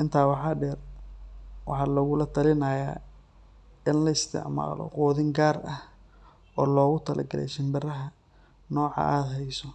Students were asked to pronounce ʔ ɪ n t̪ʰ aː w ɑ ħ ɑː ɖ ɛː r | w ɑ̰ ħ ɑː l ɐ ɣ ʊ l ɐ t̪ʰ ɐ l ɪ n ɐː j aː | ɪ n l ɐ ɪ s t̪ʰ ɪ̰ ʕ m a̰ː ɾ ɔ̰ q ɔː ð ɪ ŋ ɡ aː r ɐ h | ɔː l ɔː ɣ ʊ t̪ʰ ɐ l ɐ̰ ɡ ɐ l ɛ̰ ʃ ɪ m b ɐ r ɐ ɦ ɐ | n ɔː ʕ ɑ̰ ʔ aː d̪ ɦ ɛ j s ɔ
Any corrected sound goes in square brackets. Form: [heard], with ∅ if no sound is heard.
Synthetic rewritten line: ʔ ɪ n t̪ʰ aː w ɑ ħ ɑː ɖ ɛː r | w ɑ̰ ħ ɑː l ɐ ɣ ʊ l ɐ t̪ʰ ɐ l ɪ n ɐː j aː | ɪ n l ɐ ɪ s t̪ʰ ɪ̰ ʕ m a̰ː [l] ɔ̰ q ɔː ð ɪ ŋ ɡ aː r ɐ h | ɔː l ɔː ɣ ʊ t̪ʰ ɐ l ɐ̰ ɡ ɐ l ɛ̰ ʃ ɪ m b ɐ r ɐ ɦ ɐ | n ɔː ʕ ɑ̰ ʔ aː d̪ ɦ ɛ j s ɔ

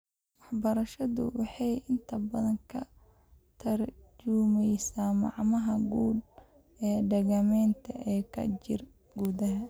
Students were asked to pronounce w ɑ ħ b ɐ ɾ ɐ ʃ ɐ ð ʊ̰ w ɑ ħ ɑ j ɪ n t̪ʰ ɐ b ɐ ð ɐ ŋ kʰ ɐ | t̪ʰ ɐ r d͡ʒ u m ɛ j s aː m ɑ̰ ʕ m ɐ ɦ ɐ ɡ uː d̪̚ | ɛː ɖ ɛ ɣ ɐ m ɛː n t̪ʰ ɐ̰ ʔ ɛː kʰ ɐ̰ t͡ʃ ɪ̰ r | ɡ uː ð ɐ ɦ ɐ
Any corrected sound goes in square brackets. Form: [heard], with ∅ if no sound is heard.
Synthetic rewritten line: w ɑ ħ b ɐ ɾ ɐ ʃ ɐ ð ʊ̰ w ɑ ħ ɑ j ɪ n t̪ʰ ɐ b ɐ ð ɐ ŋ kʰ ɐ | t̪ʰ ɐ r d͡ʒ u m ɛ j s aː m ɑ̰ ʕ m ɐ ɦ ɐ ɡ uː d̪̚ | ɛː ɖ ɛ ɣ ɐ m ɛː n t̪ʰ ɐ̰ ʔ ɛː kʰ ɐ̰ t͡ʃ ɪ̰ r | ɡ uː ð ɐ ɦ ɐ

